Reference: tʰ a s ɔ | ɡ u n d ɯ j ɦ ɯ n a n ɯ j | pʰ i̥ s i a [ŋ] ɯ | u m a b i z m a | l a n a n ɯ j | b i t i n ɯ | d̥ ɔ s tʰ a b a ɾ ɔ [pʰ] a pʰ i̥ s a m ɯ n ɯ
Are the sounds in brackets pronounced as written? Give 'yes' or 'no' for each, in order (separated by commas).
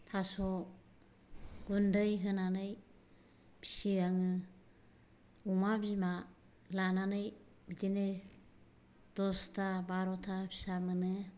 yes, no